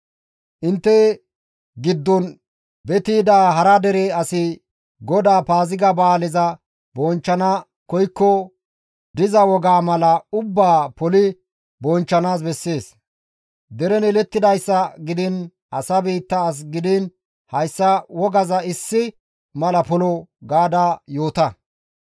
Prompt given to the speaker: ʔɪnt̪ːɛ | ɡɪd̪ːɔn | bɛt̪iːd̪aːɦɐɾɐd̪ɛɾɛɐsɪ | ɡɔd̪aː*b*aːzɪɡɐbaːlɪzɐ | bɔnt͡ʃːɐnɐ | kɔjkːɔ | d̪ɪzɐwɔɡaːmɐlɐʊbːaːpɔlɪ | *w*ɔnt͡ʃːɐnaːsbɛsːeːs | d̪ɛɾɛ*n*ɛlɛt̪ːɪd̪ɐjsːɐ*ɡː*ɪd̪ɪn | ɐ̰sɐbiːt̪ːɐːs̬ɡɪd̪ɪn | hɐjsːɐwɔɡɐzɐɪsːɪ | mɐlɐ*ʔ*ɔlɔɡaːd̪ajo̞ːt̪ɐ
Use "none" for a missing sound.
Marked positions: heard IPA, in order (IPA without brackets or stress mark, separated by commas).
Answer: p, b, n, ɡ, p